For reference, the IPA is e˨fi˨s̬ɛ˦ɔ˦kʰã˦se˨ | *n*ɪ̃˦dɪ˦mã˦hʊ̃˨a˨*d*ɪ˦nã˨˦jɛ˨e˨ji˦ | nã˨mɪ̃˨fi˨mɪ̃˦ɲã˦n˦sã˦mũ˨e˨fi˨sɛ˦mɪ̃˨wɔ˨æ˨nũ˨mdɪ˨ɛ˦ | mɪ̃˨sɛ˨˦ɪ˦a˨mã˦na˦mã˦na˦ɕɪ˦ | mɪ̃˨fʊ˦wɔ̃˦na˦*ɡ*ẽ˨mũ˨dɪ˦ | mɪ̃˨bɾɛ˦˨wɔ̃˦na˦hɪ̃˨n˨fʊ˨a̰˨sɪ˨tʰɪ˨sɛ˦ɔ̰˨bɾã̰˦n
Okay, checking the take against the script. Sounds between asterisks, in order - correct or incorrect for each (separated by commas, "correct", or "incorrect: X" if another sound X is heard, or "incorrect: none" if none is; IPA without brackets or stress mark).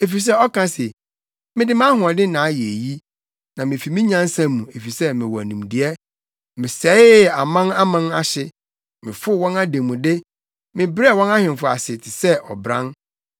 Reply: incorrect: m, correct, incorrect: d